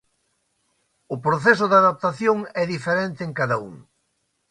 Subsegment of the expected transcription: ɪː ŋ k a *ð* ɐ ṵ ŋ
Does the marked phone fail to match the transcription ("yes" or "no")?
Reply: no